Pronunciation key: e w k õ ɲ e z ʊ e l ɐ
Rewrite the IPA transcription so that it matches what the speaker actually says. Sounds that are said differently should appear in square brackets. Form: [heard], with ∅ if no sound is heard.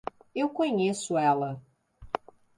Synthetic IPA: e w k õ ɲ e [s] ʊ [ɛ] l ɐ